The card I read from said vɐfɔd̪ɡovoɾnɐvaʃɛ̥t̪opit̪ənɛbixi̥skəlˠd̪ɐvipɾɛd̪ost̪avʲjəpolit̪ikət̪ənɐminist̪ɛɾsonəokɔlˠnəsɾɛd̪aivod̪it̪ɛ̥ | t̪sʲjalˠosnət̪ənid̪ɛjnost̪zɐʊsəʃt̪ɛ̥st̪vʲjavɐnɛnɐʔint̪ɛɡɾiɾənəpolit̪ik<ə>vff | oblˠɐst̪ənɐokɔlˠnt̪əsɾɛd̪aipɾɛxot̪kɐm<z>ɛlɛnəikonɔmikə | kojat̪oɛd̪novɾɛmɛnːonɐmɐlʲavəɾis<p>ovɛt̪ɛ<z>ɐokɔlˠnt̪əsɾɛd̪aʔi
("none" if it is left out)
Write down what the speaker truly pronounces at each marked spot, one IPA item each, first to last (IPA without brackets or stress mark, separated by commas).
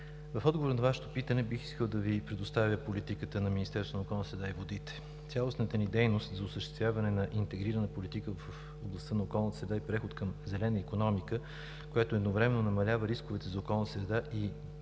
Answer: ə, z, k, z